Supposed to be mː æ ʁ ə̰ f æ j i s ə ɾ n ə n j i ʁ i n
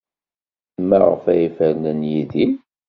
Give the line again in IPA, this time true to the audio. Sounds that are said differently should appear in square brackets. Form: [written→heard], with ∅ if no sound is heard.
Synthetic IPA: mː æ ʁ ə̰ f æ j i [s→f] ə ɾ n ə n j i [ʁ→ð] i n